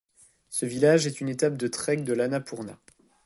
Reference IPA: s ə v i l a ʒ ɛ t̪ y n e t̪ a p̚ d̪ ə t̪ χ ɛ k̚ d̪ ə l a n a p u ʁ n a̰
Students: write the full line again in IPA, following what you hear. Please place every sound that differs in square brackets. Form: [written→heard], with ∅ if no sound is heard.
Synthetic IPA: s ə v i l a ʒ ɛ t̪ y n e t̪ a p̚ d̪ ə t̪ χ ɛ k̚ d̪ ə l a n a p u ʁ n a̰

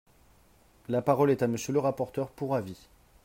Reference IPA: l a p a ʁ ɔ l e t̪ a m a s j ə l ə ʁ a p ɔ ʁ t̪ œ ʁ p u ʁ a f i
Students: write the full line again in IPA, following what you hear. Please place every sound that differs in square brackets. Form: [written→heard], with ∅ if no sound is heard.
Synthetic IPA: l a p a ʁ ɔ l [e→ɛ] t̪ a m [a→ə] s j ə l ə ʁ a p ɔ ʁ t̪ œ ʁ p u ʁ a [f→v] i

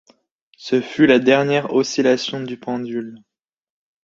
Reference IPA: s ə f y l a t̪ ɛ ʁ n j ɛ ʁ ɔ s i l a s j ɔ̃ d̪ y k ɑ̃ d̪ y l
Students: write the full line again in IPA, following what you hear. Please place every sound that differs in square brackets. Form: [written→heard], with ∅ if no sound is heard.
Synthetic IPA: s ə f y l a [t̪→d̪] ɛ ʁ n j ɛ ʁ ɔ s i l a s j ɔ̃ d̪ y [k→p] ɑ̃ d̪ y l

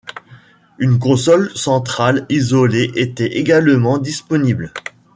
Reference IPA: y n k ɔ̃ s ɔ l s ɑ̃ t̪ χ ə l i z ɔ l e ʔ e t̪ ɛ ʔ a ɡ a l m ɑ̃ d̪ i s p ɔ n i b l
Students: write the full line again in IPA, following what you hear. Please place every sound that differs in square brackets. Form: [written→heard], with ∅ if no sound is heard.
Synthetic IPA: y n k ɔ̃ s ɔ l s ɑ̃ t̪ χ [ə→a] l i z ɔ l e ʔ e t̪ ɛ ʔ [a→e] ɡ a l m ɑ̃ d̪ i s p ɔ n i b l

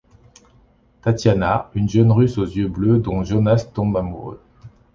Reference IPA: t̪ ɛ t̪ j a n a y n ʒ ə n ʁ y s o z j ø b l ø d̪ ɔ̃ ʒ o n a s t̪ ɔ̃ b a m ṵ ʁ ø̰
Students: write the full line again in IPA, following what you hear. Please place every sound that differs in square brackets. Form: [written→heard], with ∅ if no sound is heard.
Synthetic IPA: t̪ [ɛ→a] t̪ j a n a y n ʒ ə n ʁ y s o z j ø b l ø d̪ ɔ̃ ʒ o n a s t̪ ɔ̃ b a m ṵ ʁ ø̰

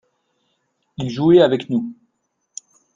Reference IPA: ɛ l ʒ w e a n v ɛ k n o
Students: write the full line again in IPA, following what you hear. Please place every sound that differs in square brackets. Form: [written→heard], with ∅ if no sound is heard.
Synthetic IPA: [ɛ→i] l ʒ [w→u] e a [n→∅] v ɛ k n [o→u]

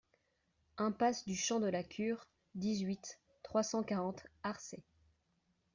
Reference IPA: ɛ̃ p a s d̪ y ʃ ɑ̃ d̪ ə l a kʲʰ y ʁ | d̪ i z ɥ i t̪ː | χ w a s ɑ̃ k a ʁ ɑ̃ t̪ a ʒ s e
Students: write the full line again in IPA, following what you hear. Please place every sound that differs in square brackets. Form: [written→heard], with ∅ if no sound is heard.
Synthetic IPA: ɛ̃ p a s d̪ y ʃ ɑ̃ d̪ ə l a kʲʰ y ʁ | d̪ i z ɥ i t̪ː | χ w a s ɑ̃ k a ʁ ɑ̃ t̪ a [ʒ→ʁ] s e

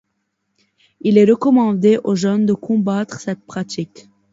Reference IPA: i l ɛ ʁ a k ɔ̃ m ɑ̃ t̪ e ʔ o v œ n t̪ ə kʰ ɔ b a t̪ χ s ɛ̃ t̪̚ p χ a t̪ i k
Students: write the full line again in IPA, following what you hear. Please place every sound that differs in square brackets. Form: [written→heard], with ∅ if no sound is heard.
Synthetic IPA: i l ɛ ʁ [a→ə] k [ɔ̃→ɔ] m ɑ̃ [t̪→d̪] e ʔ o [v→ʒ] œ n [t̪→d̪] ə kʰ [ɔ→ɔ̃] b a t̪ χ s [ɛ̃→ɛ] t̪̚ p χ a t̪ i k

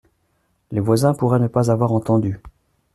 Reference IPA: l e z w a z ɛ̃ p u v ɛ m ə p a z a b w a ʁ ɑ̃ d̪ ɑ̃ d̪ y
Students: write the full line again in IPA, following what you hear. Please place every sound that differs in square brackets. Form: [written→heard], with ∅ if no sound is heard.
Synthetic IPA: l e [z→v] w a z ɛ̃ p u [v→ʁ] ɛ [m→n] ə p a z a [b→v] w a ʁ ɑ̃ [d̪→t̪] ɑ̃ d̪ y

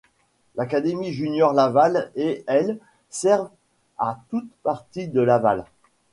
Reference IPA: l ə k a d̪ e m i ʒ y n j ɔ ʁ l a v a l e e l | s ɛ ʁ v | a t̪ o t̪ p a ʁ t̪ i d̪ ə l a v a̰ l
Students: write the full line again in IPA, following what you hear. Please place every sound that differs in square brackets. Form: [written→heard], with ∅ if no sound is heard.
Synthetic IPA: l [ə→a] k a d̪ e m i ʒ y n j ɔ ʁ l a v a l e [e→ɛ] l | s ɛ ʁ v | a t̪ [o→u] t̪ p a ʁ t̪ i d̪ ə l a v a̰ l

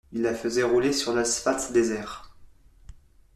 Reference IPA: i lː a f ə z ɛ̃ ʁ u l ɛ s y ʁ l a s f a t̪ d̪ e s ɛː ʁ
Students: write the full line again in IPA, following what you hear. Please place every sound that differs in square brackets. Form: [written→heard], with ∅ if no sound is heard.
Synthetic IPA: i lː a f ə z [ɛ̃→ɛ] ʁ u l [ɛ→e] s y ʁ l a s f a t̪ d̪ e [s→z] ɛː ʁ

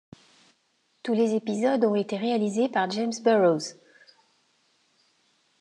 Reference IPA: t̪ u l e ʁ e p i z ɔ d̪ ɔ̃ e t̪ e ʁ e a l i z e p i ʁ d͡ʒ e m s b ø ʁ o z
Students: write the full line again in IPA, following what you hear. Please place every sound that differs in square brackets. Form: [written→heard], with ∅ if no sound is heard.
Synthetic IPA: t̪ u l e [ʁ→z] e p i z ɔ d̪ ɔ̃ e t̪ e ʁ e a l i z e p [i→a] ʁ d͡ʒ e m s b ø ʁ o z

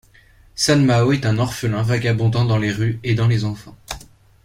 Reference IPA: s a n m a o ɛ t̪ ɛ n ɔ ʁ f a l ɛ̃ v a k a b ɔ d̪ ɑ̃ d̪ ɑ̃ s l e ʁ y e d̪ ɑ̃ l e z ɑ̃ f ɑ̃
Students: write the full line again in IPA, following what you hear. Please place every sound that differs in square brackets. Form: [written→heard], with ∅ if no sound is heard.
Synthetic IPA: s a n m a o ɛ t̪ [ɛ→ɛ̃] n ɔ ʁ f [a→ə] l ɛ̃ v a [k→ɡ] a b [ɔ→ɔ̃] d̪ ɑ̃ d̪ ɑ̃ [s→∅] l e ʁ y e d̪ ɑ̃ l e z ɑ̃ f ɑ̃

